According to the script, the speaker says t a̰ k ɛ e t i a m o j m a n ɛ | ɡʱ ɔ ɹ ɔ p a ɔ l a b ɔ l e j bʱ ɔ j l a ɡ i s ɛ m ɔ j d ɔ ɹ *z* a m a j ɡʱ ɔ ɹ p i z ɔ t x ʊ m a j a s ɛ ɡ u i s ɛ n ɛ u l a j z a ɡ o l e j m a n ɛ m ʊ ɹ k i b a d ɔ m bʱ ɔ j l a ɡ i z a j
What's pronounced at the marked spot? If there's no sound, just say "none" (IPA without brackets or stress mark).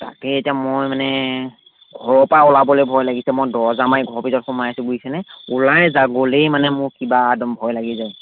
z